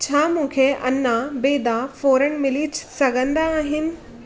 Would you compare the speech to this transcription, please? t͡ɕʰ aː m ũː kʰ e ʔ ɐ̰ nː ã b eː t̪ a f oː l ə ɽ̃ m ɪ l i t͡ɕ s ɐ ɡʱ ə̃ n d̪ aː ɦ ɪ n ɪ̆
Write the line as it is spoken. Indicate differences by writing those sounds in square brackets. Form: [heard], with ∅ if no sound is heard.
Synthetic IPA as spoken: t͡ɕʰ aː m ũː kʰ e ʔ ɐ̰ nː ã b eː [d̪] a f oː [ɾ] ə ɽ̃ m ɪ l i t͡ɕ s ɐ ɡʱ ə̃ n d̪ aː ɦ ɪ n ɪ̆